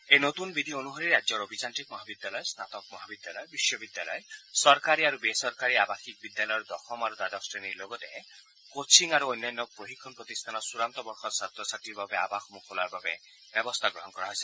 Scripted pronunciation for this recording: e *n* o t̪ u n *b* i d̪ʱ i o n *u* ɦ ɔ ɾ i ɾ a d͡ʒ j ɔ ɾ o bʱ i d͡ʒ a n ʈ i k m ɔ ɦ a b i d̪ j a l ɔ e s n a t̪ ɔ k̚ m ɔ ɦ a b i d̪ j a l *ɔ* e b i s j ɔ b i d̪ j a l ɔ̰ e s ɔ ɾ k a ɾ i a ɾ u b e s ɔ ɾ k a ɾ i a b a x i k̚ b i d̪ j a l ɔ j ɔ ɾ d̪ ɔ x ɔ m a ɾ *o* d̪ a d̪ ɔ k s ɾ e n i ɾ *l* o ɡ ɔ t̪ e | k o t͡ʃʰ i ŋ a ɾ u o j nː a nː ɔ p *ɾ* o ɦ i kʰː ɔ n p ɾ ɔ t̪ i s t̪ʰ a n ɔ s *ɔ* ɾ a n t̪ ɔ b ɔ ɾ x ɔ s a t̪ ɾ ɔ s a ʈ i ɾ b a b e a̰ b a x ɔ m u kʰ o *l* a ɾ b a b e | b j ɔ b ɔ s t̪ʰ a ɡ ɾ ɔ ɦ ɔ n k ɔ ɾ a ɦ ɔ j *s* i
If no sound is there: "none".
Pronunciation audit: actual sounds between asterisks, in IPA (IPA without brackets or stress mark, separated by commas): n, b, u, ɔ, u, l, ɾ, u, l, s